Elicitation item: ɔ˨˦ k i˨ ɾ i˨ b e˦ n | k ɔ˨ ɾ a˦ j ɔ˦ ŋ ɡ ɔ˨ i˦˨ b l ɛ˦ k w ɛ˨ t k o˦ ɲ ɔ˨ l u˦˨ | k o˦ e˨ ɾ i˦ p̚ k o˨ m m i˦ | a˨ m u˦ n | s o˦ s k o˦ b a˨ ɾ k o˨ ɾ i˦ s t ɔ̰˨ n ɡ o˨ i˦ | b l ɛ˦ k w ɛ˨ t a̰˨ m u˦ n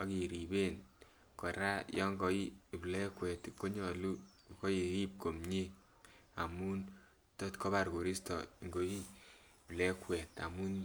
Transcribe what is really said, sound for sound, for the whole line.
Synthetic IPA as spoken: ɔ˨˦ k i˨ ɾ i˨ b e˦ n | k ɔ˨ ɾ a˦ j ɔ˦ ŋ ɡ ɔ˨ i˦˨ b l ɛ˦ k w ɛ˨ t k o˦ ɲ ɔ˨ l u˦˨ | k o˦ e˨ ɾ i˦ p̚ k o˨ m ɲ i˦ | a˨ m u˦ n | t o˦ t k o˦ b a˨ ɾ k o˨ ɾ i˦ s t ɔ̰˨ ŋ ɡ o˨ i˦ | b l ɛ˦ k w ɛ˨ t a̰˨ m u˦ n